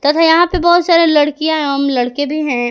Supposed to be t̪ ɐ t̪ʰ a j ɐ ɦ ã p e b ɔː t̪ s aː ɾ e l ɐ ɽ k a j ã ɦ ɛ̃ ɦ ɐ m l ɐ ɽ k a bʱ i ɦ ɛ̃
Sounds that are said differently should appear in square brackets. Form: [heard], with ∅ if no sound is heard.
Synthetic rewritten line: t̪ ɐ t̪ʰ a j ɐ ɦ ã p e b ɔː t̪ s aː ɾ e l ɐ ɽ k [i] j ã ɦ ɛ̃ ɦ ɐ m l ɐ ɽ k [e] bʱ i ɦ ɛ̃